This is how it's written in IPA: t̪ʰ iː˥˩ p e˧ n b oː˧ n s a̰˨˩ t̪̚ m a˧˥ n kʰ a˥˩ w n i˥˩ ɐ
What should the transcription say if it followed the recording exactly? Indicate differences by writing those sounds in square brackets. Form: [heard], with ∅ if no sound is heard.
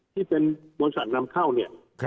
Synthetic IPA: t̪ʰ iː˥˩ p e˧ n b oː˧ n s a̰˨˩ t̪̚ [n] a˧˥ [m] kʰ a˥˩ w n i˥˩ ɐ